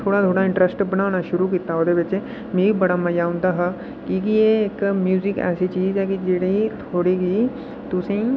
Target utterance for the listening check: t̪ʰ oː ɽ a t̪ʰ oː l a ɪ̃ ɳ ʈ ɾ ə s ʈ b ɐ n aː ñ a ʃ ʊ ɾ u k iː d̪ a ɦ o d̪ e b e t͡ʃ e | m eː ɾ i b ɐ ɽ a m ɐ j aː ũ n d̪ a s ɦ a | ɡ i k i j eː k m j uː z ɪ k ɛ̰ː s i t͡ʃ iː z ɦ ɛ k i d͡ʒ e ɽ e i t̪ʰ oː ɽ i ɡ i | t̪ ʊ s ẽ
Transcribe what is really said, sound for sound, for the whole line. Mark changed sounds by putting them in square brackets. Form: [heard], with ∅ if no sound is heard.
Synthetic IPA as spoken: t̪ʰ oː ɽ a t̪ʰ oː [ɽ] a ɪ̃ ɳ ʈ ɾ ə s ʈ b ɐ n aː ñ a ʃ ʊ ɾ u k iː [t̪] a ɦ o d̪ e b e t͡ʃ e | m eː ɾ i b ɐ ɽ a m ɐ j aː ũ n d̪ a [∅] ɦ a | [k] i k i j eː k m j uː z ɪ k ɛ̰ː s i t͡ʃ iː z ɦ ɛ k i d͡ʒ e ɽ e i t̪ʰ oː ɽ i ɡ i | t̪ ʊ s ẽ

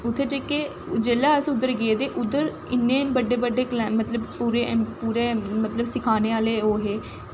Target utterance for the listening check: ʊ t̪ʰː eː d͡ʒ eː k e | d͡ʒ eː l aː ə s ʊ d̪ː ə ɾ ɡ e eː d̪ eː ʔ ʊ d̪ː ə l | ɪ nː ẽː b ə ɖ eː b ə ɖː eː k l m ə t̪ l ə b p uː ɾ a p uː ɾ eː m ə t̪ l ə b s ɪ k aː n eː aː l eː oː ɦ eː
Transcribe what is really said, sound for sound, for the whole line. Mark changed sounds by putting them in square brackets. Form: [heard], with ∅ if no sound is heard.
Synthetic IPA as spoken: ʊ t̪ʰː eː d͡ʒ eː k e | d͡ʒ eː l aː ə s ʊ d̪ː ə ɾ ɡ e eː d̪ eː ʔ ʊ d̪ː ə [ɾ] | ɪ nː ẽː b ə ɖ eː b ə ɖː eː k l m ə t̪ l ə b p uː ɾ [e] p uː ɾ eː m ə t̪ l ə b s ɪ [kʰ] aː n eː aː l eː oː ɦ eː

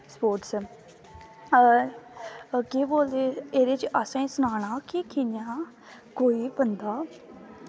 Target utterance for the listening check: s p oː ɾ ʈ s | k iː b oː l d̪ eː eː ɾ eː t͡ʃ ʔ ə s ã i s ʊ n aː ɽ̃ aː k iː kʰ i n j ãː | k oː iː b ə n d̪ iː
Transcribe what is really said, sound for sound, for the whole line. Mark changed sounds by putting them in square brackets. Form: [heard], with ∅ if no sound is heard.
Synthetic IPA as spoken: s p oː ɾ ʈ s | k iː b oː l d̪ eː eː ɾ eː t͡ʃ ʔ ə s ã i s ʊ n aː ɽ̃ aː k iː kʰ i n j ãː | k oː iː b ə n d̪ [aː]

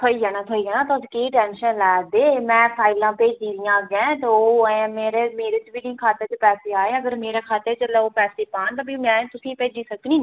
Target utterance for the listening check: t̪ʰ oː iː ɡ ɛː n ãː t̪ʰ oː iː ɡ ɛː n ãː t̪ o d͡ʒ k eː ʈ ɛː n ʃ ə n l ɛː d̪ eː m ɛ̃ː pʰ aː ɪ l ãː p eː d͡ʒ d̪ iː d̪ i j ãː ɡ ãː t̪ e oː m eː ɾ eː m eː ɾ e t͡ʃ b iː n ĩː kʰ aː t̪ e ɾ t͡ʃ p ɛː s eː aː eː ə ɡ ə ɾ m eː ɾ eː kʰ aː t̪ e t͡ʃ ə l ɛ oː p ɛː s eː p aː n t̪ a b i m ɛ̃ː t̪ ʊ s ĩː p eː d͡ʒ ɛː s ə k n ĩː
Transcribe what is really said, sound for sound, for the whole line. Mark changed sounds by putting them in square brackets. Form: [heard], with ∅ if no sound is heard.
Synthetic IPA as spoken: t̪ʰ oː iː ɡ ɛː n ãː t̪ʰ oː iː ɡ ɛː n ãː t̪ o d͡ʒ k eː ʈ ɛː n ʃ ə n l ɛː d̪ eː m ɛ̃ː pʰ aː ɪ l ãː p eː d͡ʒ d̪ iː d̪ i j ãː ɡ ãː t̪ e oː m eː ɾ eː m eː ɾ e t͡ʃ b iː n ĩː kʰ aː t̪ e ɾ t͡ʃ p ɛː s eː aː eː ə ɡ ə ɾ m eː ɾ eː kʰ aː t̪ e t͡ʃ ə l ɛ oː p ɛː s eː p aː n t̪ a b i m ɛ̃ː t̪ ʊ s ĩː p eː d͡ʒ [iː] s ə k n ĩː

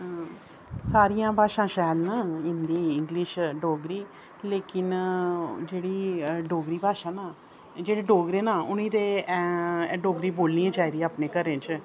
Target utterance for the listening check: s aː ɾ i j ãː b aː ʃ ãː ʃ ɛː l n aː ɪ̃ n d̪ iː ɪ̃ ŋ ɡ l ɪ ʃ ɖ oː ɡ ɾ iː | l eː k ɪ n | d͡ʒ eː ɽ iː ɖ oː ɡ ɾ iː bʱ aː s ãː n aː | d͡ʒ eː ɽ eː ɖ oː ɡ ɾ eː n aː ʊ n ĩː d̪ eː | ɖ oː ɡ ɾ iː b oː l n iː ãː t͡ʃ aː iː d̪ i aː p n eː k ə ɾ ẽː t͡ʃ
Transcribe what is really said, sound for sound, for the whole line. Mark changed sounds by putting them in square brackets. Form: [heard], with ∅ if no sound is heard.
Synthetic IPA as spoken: s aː ɾ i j ãː b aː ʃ ãː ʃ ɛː l n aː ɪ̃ n d̪ iː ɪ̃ ŋ ɡ l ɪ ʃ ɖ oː ɡ ɾ iː | l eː k ɪ n | d͡ʒ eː ɽ iː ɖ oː ɡ ɾ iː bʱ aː [ʃ] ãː n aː | d͡ʒ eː ɽ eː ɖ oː ɡ ɾ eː n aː ʊ n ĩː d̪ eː | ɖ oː ɡ ɾ iː b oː l n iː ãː t͡ʃ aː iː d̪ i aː p n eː k ə ɾ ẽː t͡ʃ

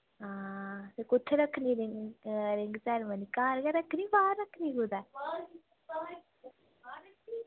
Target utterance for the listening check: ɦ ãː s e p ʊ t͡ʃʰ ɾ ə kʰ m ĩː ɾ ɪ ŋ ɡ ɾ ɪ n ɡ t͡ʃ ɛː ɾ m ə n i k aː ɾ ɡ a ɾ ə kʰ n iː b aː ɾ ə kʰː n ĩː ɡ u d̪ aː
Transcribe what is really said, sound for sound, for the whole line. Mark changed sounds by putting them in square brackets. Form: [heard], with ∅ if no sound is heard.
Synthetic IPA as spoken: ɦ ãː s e [k] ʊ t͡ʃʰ ɾ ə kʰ [n] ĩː ɾ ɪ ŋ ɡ ɾ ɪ [ŋ] ɡ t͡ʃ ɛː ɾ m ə n i k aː ɾ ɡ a ɾ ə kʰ n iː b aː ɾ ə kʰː n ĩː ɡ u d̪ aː

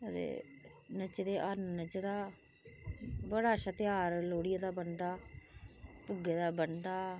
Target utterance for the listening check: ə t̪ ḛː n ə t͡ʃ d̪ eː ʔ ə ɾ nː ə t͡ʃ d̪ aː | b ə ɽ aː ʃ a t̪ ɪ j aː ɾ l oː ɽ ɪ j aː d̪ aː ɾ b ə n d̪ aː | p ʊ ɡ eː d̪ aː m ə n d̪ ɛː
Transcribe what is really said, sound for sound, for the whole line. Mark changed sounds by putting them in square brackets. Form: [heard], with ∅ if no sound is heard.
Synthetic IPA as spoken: ə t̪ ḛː n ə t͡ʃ d̪ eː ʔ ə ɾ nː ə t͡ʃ d̪ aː | b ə ɽ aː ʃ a t̪ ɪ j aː ɾ l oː ɽ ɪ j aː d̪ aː [∅] b ə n d̪ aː | p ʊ ɡ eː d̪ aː [b] ə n d̪ [aː]

